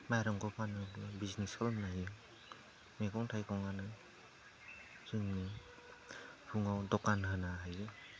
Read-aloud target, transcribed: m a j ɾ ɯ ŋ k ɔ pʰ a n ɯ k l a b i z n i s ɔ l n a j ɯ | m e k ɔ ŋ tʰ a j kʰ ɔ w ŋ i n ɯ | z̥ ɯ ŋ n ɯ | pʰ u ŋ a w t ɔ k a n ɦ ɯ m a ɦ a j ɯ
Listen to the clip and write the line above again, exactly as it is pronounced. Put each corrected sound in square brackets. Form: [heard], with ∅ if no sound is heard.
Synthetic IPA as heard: m a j ɾ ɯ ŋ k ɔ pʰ a n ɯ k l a b i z n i s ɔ l n a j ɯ | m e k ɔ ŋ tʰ a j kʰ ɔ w ŋ [a] n ɯ | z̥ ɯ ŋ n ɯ | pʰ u ŋ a w [d] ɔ k a n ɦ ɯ [n] a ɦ a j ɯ